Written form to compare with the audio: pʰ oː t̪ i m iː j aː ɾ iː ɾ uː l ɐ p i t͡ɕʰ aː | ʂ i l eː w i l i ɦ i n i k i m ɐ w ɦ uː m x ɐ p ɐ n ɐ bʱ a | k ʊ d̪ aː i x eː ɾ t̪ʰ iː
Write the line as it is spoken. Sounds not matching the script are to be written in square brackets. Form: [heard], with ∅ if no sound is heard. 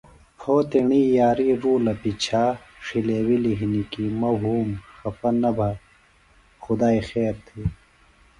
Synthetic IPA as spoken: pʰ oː t̪ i [ɳ] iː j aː ɾ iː ɾ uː l ɐ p i t͡ɕʰ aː | ʂ i l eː w i l i ɦ i n i k i m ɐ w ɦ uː m x ɐ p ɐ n ɐ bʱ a | [x] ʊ d̪ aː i x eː ɾ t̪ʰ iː